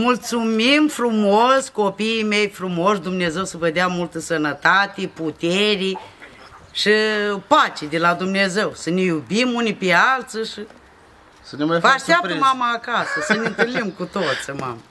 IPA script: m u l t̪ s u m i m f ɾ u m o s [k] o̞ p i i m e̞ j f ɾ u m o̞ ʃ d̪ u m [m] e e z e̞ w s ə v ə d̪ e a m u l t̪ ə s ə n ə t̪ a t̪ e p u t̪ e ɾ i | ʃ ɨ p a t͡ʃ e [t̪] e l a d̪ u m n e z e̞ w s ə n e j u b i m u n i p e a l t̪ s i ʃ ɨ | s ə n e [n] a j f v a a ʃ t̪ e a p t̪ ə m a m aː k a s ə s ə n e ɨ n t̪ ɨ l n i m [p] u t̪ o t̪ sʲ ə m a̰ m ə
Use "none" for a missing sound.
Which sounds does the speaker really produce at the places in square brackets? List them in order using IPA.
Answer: k, n, d̪, m, k

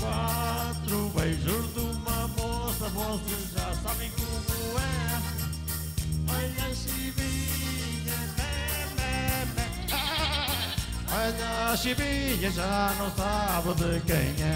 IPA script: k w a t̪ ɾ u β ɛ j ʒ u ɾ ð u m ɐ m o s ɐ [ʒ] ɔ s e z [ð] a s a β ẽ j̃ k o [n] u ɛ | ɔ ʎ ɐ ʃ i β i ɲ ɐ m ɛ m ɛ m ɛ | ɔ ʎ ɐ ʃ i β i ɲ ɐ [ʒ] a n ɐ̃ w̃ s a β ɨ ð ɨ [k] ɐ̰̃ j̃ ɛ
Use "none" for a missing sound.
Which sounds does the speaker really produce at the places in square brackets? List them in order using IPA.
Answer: v, ʒ, m, ʒ, k

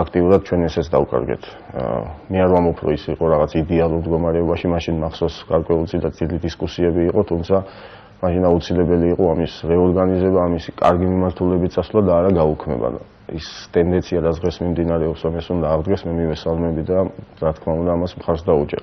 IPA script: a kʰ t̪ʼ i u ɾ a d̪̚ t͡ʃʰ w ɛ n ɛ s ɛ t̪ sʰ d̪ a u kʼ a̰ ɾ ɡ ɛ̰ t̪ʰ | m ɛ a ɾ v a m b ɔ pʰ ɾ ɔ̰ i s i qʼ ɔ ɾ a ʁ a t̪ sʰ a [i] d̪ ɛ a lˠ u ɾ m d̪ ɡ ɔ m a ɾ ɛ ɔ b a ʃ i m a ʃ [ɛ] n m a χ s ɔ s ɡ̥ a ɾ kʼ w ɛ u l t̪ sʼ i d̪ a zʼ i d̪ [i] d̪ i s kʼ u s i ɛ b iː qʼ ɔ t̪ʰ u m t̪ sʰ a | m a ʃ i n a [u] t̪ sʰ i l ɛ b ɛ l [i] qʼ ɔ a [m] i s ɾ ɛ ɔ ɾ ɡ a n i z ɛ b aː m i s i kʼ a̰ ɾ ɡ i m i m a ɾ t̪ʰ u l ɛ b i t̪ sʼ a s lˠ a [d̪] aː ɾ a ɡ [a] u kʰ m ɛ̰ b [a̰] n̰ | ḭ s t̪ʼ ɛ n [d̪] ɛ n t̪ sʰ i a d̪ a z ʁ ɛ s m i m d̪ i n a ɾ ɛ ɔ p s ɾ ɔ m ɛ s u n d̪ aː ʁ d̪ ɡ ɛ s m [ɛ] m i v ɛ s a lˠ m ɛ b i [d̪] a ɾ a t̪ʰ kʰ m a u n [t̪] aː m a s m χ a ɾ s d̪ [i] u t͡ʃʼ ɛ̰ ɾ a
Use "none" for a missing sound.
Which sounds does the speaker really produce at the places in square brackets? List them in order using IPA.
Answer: i, i, i, u, iː, m, d̪, a, a̰, d̪, ɛ, d̪, d̪, a

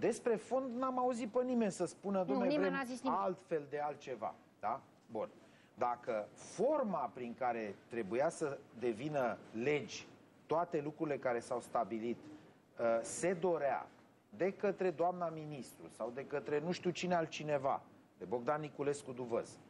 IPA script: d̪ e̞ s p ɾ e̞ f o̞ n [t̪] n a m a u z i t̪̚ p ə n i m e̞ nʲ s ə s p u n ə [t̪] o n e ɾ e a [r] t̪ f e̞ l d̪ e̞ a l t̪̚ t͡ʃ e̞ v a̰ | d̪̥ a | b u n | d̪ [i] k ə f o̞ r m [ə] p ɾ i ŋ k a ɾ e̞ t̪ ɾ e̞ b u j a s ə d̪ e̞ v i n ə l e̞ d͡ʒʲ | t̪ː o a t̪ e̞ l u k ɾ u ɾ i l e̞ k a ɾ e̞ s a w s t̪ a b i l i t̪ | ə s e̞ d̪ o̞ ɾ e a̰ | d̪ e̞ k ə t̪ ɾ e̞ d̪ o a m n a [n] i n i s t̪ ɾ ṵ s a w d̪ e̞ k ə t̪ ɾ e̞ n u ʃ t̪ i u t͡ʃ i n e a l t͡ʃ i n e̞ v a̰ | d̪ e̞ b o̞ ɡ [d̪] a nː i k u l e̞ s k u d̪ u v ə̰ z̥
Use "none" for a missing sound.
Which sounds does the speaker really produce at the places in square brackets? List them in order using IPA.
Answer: d̪, d̪, l, a, a, m, d̪

